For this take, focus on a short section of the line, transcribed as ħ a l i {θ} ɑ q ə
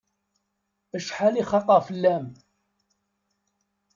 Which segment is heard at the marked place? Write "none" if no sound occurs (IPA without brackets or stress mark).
χ